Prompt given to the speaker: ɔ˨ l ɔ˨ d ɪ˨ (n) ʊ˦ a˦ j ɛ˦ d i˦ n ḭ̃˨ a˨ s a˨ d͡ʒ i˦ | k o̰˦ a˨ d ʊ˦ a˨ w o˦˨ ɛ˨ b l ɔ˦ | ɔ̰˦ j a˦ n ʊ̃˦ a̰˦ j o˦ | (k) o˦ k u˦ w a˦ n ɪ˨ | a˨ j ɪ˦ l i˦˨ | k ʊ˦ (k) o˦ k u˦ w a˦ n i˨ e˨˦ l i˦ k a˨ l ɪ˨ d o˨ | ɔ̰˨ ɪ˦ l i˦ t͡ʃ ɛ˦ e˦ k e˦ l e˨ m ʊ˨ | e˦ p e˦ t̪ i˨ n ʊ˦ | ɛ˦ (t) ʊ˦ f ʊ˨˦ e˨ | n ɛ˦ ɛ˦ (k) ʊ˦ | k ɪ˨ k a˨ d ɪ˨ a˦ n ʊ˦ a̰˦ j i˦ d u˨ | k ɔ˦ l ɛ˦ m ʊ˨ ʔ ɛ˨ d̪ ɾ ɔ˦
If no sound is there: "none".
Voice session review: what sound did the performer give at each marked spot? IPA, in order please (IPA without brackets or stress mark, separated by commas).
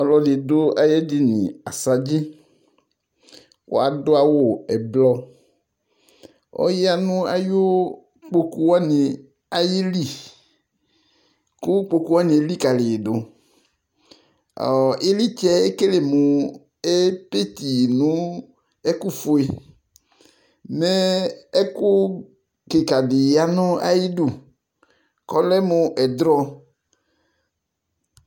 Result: d, k͡p, k͡p, k, k